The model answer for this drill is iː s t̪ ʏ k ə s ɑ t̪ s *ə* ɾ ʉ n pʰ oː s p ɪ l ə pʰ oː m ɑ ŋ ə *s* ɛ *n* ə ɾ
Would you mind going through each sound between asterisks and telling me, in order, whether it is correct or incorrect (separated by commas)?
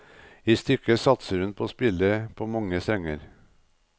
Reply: correct, correct, incorrect